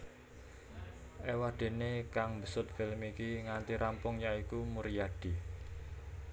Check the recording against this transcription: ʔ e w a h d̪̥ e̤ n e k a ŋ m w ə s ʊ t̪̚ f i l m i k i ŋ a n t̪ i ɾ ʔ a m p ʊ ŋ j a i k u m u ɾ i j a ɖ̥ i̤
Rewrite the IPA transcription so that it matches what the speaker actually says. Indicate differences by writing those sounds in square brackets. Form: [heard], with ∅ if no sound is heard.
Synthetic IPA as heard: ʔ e w a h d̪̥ e̤ n e k a ŋ m [b] ə s ʊ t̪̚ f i l m i k i ŋ a n t̪ i ɾ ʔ a m p ʊ ŋ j a i k u m u ɾ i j a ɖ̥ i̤